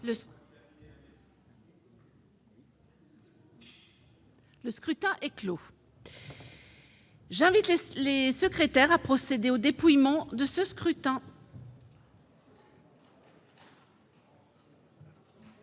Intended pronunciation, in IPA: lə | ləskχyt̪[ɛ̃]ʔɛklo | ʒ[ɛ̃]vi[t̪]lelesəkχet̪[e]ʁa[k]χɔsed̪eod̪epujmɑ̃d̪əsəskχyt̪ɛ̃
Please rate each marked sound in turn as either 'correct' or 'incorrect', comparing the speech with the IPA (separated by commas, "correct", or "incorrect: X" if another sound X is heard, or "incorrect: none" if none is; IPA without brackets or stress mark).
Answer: correct, correct, correct, incorrect: ɛ, incorrect: p